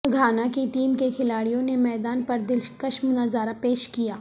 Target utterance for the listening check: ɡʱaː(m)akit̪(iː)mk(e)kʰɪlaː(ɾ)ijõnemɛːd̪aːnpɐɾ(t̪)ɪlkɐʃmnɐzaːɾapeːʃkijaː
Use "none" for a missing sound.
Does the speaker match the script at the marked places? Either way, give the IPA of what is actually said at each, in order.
n, iː, e, ɽ, d̪

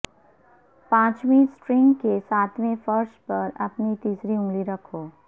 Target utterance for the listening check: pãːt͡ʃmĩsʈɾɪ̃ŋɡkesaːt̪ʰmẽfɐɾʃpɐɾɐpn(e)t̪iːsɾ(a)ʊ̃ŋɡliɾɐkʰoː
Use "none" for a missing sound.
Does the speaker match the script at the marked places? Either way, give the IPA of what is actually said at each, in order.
i, i

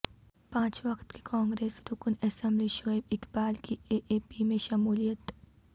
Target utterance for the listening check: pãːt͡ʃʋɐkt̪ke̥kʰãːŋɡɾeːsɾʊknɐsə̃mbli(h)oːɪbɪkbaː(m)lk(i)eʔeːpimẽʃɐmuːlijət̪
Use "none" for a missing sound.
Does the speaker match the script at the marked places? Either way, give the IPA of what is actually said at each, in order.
ʃ, none, i

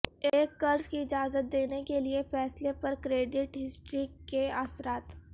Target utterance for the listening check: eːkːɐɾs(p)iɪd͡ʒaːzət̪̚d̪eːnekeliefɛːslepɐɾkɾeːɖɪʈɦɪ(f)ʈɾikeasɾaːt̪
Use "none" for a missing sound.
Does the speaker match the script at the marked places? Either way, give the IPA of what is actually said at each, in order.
k, s

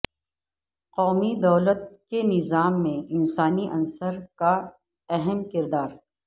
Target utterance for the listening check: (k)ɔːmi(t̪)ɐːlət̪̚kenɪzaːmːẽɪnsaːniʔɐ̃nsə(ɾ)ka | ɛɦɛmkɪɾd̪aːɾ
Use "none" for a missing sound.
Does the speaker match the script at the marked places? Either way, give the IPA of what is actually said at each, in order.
q, d̪, ɾ

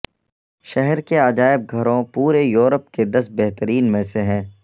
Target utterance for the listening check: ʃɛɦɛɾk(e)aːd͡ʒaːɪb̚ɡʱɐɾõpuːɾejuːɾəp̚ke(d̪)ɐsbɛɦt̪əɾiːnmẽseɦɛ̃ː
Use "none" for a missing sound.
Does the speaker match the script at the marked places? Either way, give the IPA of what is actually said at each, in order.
e, d̪

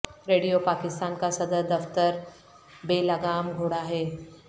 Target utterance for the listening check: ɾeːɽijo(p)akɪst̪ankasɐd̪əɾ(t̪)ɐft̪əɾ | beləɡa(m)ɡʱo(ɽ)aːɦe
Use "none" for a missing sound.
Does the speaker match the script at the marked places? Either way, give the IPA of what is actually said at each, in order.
p, d̪, m, ɽ

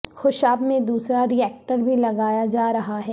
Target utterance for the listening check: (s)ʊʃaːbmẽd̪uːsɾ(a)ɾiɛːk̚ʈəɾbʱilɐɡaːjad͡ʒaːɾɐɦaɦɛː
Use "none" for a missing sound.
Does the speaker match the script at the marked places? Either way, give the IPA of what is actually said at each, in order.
x, a

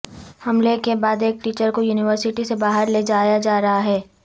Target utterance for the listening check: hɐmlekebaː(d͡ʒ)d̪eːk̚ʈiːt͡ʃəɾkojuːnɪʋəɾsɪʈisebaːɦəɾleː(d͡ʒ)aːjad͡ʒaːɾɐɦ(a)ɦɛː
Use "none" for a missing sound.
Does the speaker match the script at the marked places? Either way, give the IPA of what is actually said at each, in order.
none, d͡ʒ, a

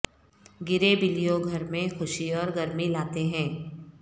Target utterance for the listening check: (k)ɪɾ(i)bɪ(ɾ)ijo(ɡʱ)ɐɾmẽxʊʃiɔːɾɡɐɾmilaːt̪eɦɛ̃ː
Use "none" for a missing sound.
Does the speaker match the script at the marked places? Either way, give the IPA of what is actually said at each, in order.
ɡ, e, l, ɡʱ

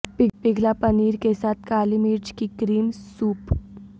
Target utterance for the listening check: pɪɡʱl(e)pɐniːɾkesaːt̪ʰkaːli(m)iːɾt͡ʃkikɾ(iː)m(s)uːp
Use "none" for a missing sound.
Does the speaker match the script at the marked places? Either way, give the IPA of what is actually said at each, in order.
a, m, iː, s

